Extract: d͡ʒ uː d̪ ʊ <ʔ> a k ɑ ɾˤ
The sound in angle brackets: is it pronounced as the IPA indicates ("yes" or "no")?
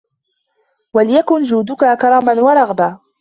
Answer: no